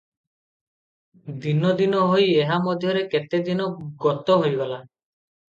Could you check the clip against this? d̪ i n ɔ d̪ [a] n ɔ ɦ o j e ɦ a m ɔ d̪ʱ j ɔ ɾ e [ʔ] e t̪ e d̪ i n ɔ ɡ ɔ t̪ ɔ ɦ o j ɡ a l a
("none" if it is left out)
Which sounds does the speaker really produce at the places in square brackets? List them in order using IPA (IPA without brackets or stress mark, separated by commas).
i, k